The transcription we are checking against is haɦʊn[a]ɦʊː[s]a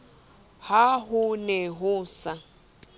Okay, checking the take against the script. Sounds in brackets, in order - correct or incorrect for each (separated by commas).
incorrect, correct